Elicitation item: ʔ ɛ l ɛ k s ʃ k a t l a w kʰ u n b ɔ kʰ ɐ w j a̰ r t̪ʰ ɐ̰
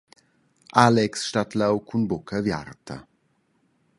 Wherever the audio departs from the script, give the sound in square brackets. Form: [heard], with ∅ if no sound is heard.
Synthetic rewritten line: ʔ [a] l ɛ k s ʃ [t] a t l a w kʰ u n b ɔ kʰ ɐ [v] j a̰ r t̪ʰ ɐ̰